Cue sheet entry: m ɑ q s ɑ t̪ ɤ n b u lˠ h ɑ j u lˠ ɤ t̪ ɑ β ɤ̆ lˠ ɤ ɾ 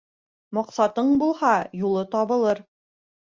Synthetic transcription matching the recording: m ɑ q s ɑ t̪ ɤ ɴ b u lˠ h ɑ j u lˠ ɤ t̪ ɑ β ɤ̆ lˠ ɤ ɾ